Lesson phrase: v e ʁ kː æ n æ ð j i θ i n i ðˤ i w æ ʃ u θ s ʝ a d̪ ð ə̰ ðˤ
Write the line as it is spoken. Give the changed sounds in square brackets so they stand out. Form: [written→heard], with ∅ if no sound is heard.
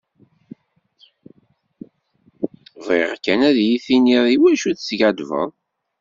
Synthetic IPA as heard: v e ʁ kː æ n æ ð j i θ i n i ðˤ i w æ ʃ u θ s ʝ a d̪ [ð→v] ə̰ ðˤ